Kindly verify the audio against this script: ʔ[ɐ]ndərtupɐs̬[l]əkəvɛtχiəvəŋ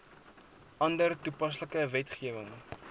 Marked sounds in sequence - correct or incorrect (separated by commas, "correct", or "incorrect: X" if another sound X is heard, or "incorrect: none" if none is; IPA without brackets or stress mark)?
correct, correct